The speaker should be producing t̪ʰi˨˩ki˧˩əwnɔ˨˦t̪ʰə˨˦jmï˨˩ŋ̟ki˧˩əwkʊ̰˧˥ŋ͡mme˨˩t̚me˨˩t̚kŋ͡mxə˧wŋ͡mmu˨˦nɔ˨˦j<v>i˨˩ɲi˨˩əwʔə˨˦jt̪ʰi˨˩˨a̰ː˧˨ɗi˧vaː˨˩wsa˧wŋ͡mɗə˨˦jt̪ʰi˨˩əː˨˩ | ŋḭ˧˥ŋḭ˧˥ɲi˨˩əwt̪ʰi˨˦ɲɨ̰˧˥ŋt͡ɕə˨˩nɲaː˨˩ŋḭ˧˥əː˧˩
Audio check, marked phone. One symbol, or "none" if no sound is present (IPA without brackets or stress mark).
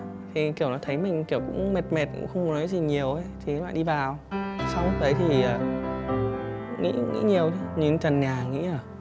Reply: z